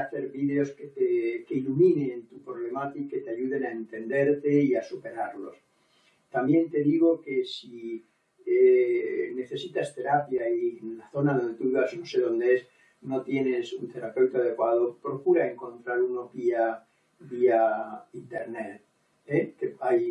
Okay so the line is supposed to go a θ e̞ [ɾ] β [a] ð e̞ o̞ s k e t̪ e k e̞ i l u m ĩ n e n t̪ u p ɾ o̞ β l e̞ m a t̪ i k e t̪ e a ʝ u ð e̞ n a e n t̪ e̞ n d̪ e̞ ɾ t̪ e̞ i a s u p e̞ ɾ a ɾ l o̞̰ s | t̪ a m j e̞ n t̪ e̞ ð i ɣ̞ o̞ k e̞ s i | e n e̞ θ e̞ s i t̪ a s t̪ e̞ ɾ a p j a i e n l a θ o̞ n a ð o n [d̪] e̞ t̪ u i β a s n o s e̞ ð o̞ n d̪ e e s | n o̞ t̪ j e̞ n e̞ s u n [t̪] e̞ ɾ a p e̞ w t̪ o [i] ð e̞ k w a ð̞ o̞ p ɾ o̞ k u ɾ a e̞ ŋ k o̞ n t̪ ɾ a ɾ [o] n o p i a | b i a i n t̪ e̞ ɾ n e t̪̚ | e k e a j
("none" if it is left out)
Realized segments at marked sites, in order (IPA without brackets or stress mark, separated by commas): ɾ, i, d̪, t̪, a, u